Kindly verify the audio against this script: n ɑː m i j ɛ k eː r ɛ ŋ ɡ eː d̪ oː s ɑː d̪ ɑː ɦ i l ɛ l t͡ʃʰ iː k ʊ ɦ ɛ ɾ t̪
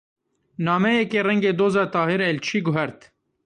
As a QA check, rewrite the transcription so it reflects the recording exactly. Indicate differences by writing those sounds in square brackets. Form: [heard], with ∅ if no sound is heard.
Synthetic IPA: n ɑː m [ɛ] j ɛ k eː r ɛ ŋ ɡ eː d̪ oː [z] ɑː [t̪] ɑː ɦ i [ɾ] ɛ l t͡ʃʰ iː [ɡ] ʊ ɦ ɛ ɾ t̪